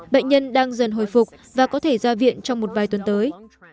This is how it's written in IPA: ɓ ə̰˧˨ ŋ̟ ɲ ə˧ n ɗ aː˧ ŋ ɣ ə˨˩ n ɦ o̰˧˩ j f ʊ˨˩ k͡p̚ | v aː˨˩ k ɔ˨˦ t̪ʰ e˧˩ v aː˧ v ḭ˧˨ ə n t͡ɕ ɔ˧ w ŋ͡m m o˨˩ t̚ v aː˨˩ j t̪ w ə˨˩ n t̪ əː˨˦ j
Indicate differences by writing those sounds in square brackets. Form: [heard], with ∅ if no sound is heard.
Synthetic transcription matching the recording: ɓ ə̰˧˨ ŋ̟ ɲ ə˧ n ɗ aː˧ ŋ [z] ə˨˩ n ɦ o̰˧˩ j f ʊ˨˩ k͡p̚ | v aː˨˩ k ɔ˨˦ t̪ʰ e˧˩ [z] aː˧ v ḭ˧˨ ə n t͡ɕ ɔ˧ w ŋ͡m m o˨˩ t̚ v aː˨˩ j t̪ w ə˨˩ n t̪ əː˨˦ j